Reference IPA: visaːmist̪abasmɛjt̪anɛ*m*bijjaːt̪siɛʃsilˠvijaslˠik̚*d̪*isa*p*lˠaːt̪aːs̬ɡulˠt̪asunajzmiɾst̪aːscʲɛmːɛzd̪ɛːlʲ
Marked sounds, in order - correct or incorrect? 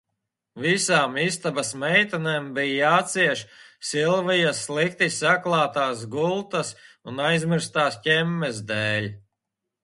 correct, incorrect: t̪, incorrect: k

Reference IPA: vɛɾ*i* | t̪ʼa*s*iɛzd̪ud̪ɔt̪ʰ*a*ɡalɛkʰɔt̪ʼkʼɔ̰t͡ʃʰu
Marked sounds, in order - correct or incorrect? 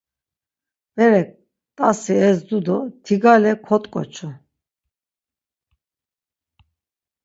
incorrect: ɛ, correct, incorrect: i

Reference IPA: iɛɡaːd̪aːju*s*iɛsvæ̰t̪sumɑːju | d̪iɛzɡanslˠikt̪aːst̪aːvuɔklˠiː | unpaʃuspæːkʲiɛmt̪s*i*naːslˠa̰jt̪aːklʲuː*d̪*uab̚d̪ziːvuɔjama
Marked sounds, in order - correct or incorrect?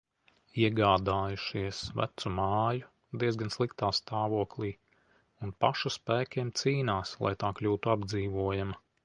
incorrect: ʃ, incorrect: iː, incorrect: t̪

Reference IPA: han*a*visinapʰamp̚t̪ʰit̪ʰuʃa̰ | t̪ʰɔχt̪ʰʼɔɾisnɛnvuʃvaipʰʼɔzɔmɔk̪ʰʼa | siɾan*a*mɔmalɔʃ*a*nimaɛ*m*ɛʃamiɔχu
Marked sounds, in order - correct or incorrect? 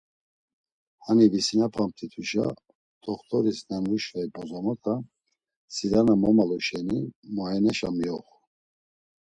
incorrect: i, correct, incorrect: ɛ, incorrect: n

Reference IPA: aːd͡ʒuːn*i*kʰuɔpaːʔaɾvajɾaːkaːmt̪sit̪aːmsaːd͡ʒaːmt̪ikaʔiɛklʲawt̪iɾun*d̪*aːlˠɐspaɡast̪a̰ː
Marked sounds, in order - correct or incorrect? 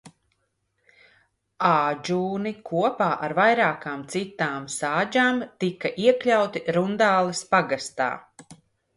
correct, correct

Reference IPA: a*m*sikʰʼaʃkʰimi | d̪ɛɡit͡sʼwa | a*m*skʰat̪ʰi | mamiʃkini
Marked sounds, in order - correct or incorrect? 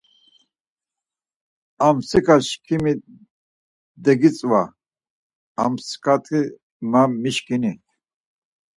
correct, correct

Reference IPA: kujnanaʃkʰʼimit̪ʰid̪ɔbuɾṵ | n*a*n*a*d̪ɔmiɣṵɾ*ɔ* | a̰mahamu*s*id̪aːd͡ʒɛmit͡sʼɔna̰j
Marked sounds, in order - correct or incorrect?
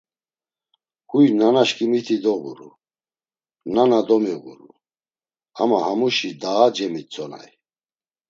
correct, correct, incorrect: u, incorrect: ʃ

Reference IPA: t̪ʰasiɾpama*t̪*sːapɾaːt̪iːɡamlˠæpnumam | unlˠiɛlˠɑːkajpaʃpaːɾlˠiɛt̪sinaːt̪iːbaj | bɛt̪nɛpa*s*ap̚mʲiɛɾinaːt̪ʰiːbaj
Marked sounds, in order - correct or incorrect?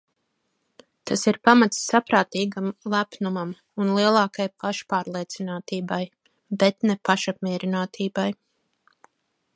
correct, incorrect: ʃ

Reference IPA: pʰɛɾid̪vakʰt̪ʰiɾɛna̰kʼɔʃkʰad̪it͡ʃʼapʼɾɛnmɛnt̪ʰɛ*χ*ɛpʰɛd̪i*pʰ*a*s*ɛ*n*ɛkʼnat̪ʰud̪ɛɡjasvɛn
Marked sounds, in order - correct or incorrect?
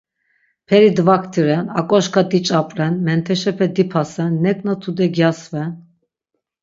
incorrect: ʃ, correct, correct, incorrect: nː

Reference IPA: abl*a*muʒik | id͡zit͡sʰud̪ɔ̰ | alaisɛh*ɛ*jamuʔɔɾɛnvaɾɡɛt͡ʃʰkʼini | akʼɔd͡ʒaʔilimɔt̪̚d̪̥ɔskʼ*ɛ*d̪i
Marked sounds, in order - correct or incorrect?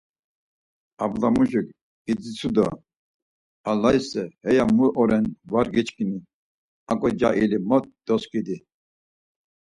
correct, correct, incorrect: i

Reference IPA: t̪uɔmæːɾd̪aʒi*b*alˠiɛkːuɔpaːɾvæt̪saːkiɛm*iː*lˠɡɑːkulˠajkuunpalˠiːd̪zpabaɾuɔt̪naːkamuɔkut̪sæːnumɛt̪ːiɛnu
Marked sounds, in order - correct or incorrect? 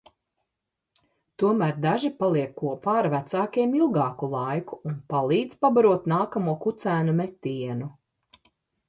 incorrect: p, incorrect: i

